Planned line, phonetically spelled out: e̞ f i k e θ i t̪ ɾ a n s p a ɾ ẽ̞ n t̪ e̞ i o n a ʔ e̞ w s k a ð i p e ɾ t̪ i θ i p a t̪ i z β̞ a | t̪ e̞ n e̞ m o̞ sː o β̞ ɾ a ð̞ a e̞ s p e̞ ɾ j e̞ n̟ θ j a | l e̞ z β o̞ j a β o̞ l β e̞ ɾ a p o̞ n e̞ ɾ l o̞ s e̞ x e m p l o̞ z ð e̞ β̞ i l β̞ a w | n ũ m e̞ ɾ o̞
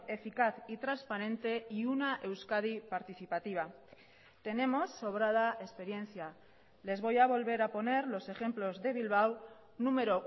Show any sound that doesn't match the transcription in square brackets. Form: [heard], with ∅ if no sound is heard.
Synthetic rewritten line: e̞ f i k [a] θ i t̪ ɾ a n s p a ɾ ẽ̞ n t̪ e̞ i [u] n a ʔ e̞ w s k a ð i p [a] ɾ t̪ i θ i p a t̪ i [∅] β̞ a | t̪ e̞ n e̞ m o̞ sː o β̞ ɾ a ð̞ a e̞ s p e̞ ɾ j e̞ n̟ θ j a | l e̞ z β o̞ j a β o̞ l β e̞ ɾ a p o̞ n e̞ ɾ l o̞ s e̞ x e m p l o̞ z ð e̞ β̞ i l β̞ a w | n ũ m e̞ ɾ o̞